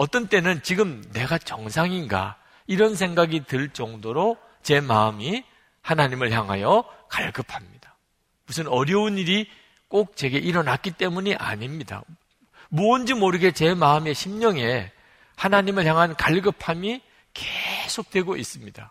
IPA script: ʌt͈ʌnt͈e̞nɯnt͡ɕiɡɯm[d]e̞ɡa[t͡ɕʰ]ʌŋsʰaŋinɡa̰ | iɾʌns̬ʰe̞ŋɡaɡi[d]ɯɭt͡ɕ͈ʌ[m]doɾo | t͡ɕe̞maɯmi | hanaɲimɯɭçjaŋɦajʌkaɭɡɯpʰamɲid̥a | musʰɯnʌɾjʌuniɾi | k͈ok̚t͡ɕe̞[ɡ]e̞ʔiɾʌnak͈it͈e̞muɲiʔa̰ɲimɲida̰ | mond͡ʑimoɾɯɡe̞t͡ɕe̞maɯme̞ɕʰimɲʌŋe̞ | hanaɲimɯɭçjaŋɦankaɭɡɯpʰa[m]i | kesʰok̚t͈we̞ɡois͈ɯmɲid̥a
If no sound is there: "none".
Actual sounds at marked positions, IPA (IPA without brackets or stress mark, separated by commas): n, t͡ɕ, t, ŋ, ɡ, m